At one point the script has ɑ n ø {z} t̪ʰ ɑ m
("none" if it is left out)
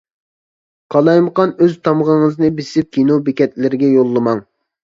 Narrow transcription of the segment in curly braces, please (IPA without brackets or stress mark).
z